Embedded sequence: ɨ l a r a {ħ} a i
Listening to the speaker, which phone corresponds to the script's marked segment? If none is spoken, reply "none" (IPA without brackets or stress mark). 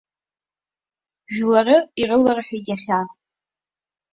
ħ